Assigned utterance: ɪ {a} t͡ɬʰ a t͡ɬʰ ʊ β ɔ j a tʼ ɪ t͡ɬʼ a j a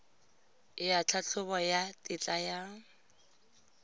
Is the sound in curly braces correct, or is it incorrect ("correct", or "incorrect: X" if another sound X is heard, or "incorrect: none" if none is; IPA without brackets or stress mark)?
correct